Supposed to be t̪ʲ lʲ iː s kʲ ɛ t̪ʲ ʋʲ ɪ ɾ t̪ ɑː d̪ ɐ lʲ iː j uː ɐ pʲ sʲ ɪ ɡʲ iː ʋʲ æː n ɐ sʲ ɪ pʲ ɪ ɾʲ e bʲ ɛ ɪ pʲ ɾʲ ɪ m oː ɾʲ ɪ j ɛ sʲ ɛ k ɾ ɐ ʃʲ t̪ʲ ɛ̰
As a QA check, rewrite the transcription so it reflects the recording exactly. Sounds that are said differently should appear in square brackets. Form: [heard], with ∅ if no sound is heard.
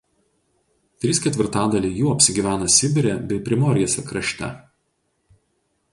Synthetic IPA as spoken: t̪ʲ [ɾʲ] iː s kʲ ɛ t̪ʲ ʋʲ ɪ ɾ t̪ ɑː d̪ ɐ lʲ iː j uː ɐ pʲ sʲ ɪ ɡʲ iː ʋʲ æː n ɐ sʲ ɪ [bʲ] ɪ ɾʲ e bʲ ɛ ɪ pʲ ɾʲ ɪ m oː ɾʲ ɪ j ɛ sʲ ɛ k ɾ ɐ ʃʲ t̪ʲ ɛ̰